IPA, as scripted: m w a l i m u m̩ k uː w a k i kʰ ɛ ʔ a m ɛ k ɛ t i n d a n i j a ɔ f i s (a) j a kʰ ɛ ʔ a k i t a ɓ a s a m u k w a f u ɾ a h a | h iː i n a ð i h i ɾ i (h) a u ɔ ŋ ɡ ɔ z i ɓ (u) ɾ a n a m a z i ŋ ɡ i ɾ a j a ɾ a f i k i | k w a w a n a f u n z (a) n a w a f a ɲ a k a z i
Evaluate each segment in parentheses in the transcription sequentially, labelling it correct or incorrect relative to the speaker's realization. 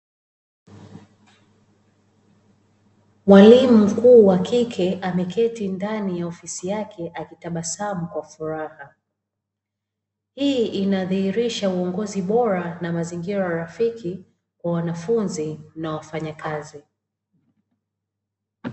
incorrect, incorrect, incorrect, incorrect

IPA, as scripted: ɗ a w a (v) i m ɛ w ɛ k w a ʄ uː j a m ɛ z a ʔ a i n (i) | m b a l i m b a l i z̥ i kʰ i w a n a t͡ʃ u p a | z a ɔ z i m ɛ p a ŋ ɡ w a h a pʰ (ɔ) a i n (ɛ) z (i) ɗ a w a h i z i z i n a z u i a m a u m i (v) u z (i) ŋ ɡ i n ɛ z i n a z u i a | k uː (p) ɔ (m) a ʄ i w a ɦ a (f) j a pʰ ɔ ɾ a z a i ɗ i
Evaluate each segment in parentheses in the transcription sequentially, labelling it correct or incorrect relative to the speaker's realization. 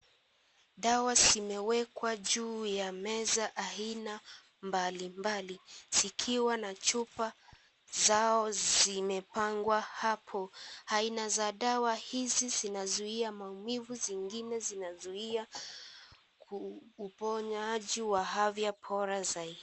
incorrect, incorrect, correct, incorrect, incorrect, correct, correct, correct, incorrect, incorrect

